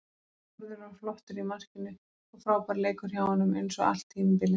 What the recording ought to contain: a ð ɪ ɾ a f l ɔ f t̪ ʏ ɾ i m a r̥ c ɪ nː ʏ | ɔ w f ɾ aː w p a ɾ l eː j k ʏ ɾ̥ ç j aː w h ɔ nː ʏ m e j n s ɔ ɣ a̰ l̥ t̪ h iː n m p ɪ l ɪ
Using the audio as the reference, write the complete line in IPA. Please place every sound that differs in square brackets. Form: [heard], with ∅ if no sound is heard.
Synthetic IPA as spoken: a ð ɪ ɾ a f l ɔ [h] t̪ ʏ ɾ i m a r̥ c ɪ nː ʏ | ɔ [ɣ] f ɾ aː w p a ɾ l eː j k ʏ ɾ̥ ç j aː w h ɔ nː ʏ m e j n s ɔ ɣ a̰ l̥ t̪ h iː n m p ɪ l ɪ